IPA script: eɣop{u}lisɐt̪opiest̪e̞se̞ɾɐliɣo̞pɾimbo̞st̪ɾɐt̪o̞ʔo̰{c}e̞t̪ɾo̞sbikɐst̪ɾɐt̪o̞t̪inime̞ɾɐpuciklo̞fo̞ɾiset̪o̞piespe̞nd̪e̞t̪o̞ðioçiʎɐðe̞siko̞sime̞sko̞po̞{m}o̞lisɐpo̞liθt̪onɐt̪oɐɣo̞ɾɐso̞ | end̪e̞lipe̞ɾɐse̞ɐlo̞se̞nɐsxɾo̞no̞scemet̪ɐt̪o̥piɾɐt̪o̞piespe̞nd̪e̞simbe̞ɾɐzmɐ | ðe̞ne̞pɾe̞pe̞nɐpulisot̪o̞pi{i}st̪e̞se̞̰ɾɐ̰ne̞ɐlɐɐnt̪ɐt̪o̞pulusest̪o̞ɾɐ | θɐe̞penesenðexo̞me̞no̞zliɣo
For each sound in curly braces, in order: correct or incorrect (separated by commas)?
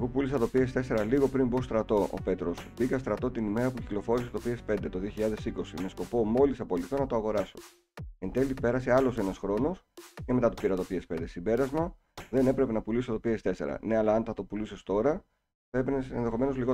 correct, incorrect, correct, incorrect